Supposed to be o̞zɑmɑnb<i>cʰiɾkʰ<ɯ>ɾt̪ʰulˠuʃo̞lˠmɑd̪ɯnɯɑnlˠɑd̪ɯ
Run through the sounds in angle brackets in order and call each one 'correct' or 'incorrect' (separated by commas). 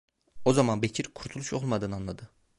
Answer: incorrect, incorrect